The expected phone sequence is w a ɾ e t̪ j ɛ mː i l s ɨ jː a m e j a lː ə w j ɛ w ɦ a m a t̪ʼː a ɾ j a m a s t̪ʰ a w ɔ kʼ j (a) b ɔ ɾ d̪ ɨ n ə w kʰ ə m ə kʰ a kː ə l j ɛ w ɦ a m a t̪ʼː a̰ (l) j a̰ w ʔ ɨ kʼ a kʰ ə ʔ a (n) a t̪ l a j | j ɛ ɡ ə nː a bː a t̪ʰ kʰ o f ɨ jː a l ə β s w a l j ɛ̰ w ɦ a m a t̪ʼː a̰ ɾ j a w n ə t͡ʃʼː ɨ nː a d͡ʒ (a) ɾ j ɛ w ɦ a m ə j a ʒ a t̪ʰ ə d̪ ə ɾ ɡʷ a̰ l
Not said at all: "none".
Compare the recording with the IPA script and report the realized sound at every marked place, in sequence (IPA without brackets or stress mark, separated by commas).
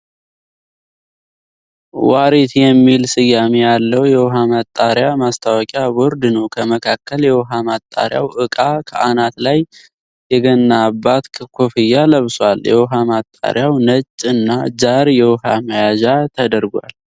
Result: a, ɾ, n, a